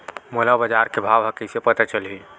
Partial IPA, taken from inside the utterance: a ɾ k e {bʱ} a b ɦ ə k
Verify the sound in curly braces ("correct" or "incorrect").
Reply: correct